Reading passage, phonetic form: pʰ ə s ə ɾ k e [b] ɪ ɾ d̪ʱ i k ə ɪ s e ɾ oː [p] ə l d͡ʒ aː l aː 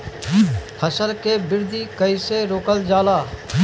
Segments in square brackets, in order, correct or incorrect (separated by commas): correct, incorrect